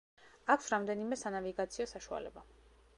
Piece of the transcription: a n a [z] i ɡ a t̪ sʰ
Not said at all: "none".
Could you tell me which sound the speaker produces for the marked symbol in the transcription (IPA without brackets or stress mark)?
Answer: v